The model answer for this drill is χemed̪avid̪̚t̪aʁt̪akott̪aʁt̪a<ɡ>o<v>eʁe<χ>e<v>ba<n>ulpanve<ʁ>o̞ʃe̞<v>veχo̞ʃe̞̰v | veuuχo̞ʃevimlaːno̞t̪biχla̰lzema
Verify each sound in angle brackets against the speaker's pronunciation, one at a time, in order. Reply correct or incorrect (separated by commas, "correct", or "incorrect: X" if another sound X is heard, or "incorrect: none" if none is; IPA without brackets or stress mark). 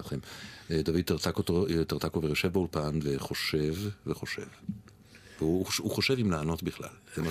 incorrect: k, correct, incorrect: ʃ, correct, incorrect: none, incorrect: χ, correct